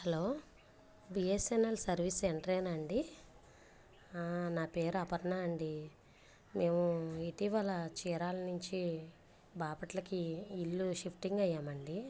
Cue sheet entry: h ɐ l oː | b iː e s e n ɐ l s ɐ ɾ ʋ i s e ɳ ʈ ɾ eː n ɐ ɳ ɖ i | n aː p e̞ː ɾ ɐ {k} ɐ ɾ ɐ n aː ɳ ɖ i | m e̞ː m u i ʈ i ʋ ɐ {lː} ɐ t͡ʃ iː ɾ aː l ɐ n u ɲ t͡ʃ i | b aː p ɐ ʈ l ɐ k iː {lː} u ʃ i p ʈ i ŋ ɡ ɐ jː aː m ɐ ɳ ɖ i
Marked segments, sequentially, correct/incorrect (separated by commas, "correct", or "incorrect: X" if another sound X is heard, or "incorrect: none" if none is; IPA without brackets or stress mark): incorrect: p, incorrect: l, correct